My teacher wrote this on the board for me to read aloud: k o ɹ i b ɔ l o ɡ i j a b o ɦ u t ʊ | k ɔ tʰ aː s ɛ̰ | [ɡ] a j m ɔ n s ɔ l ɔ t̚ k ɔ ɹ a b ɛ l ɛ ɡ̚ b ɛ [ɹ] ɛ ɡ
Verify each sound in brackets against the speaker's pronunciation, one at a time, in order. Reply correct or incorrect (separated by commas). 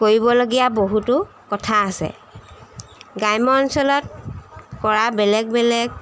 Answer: correct, incorrect